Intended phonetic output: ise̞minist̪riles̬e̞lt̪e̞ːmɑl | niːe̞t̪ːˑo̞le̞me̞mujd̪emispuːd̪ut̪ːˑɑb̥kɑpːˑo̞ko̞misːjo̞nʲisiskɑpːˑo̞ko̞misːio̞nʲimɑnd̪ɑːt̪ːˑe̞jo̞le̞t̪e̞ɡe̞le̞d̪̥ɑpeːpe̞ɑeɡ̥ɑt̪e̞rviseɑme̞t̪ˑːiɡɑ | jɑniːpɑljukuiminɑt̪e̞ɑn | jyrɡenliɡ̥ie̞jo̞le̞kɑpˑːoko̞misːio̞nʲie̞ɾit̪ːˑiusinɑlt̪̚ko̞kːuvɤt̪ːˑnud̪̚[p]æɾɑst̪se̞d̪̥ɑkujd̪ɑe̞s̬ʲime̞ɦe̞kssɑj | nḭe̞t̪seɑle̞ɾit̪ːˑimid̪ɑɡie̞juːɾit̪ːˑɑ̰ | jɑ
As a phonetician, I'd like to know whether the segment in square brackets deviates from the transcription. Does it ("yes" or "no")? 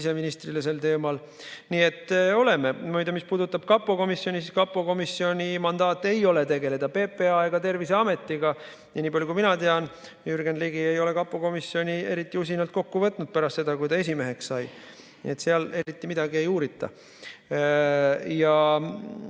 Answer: no